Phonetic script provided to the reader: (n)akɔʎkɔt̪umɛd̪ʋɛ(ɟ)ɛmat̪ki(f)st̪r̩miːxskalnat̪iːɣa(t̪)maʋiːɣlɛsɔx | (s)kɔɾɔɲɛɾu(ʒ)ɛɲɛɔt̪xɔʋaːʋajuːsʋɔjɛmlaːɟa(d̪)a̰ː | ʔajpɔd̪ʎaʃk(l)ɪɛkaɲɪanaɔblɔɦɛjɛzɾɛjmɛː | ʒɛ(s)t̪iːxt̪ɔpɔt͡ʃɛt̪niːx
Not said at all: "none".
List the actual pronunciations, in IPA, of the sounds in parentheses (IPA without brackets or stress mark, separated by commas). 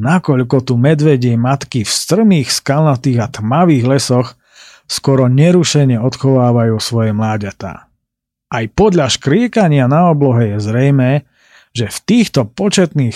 n, ɟ, f, t̪, s, ʃ, t̪, ɾ, f